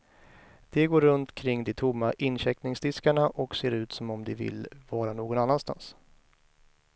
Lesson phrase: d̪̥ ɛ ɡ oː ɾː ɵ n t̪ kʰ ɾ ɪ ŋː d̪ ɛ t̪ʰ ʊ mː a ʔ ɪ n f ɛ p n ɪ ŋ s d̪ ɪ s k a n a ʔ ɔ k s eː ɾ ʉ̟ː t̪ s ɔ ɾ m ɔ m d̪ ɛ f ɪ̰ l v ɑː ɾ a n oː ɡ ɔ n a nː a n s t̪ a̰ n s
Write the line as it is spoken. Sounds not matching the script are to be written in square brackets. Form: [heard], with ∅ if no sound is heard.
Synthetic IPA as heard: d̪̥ ɛ ɡ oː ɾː ɵ n t̪ kʰ ɾ ɪ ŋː d̪ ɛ t̪ʰ ʊ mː a ʔ ɪ n [ɕ] ɛ [k] n ɪ ŋ s d̪ ɪ s k a [ɳ] a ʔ ɔ k s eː ɾ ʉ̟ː t̪ s ɔ [∅] m ɔ m d̪ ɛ [v] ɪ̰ l v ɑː ɾ a n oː ɡ ɔ n a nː a n s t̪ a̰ n s